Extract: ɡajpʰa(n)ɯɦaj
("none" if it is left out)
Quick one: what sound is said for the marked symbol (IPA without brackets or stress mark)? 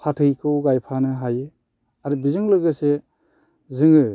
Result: n